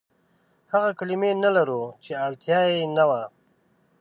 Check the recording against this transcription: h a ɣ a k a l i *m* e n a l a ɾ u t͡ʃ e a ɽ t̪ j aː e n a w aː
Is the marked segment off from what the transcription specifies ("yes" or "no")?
no